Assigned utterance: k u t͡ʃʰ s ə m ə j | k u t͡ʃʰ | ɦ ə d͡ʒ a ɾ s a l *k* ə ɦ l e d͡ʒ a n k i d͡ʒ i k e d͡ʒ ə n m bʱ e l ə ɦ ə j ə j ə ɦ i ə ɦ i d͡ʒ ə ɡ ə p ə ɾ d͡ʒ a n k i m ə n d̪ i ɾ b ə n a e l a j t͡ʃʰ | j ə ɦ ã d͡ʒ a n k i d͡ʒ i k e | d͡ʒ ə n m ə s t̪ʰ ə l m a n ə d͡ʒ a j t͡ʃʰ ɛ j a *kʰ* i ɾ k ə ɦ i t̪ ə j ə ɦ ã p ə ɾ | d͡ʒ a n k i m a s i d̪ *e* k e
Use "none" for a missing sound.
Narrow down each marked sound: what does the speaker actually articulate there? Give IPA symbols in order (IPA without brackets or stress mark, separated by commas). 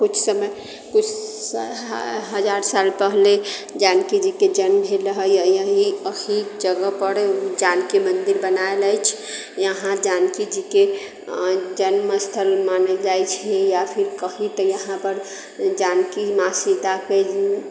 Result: p, pʰ, a